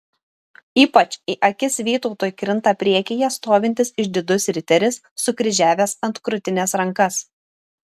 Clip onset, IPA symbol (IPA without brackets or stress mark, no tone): iː